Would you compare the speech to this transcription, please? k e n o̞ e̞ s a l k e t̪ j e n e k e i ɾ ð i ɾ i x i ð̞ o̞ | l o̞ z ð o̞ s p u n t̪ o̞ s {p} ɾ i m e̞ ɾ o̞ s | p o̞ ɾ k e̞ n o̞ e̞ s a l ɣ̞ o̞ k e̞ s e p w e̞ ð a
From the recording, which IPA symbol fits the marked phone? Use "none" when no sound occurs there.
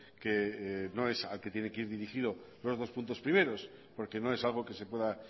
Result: p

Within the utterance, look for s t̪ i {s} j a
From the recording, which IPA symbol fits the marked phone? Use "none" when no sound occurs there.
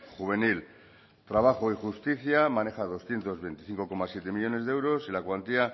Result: θ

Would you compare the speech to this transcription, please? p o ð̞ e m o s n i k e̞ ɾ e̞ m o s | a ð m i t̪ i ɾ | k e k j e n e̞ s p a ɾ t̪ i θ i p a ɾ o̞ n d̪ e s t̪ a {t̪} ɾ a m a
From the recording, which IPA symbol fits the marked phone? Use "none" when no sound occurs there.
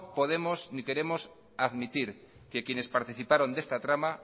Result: t̪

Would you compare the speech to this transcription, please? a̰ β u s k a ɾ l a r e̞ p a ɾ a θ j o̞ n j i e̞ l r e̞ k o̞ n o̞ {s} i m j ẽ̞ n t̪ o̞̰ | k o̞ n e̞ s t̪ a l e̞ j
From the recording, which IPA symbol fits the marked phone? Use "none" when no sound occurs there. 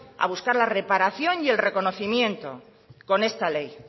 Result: θ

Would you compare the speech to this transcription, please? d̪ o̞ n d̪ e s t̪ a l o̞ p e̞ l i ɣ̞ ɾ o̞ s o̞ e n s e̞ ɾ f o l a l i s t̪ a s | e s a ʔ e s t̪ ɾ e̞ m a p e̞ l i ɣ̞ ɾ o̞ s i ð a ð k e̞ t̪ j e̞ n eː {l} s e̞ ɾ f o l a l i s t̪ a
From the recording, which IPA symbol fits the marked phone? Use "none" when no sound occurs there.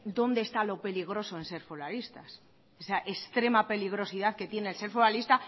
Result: l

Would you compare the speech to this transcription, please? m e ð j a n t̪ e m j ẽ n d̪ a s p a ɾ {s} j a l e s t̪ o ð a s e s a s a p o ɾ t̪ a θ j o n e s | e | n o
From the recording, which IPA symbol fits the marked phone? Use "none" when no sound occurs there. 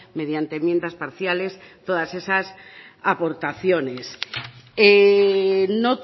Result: θ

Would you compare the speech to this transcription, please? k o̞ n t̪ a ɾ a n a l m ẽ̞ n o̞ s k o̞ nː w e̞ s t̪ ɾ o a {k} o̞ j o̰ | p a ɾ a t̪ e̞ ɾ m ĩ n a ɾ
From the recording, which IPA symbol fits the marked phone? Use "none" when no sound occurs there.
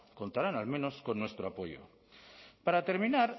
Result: p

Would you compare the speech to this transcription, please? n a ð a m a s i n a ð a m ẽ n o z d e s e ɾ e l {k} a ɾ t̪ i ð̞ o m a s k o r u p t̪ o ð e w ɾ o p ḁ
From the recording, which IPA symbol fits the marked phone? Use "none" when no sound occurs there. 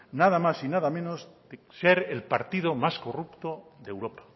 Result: p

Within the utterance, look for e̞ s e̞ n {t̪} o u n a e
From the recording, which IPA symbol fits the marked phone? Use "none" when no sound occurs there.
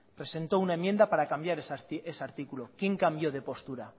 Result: t̪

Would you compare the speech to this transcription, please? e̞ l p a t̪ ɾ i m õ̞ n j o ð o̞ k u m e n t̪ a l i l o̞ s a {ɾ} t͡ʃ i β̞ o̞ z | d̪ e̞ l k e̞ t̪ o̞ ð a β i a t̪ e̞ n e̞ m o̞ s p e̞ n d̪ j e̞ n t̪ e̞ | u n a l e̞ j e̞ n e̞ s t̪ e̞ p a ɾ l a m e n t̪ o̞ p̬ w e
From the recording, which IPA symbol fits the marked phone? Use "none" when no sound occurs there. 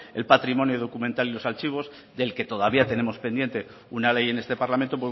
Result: l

